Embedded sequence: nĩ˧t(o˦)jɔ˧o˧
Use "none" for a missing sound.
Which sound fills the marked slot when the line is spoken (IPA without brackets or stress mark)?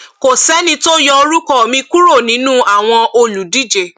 o˦